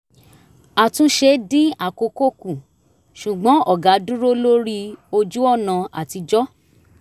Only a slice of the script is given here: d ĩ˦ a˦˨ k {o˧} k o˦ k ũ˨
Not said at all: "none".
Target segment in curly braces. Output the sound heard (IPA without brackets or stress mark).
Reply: o˧